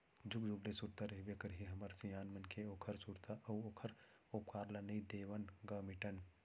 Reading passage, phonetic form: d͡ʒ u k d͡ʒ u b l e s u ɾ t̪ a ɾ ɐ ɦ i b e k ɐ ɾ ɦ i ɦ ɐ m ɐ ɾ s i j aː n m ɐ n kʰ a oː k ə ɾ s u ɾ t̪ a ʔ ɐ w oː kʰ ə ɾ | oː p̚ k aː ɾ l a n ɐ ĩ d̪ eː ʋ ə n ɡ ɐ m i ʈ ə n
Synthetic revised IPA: d͡ʒ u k d͡ʒ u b l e s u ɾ t̪ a ɾ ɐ ɦ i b e k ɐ ɾ ɦ i ɦ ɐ m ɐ ɾ s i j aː n m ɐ n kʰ e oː kʰ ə ɾ s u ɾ t̪ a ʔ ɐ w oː kʰ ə ɾ | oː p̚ k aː ɾ l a n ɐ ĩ d̪ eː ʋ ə n ɡ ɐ m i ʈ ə n